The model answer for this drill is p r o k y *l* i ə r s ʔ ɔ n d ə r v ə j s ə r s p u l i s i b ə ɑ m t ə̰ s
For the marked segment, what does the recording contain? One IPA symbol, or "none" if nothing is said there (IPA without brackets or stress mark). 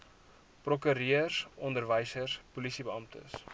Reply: ɾ